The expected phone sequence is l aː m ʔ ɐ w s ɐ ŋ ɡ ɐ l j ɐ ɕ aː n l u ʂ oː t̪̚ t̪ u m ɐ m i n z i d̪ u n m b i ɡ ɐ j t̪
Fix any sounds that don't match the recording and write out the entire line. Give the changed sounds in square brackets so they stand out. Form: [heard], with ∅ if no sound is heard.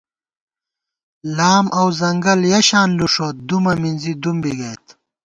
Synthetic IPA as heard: l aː m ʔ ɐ w [z] ɐ ŋ ɡ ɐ l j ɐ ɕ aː n l u ʂ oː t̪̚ [d̪] u m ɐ m i n z i d̪ u [∅] m b i ɡ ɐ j t̪